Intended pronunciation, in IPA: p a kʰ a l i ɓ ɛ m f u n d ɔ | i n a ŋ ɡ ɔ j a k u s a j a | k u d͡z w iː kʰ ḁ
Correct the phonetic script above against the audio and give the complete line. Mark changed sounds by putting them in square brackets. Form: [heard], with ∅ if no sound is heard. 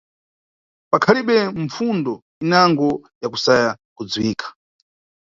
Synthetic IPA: p a kʰ a l i ɓ ɛ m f u n d ɔ | i n a ŋ ɡ ɔ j a k u s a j a | k u d͡z w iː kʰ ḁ